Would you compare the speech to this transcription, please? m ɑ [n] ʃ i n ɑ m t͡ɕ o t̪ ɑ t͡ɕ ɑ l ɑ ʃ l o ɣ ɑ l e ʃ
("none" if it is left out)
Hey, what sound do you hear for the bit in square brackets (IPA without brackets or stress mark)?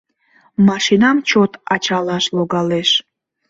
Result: none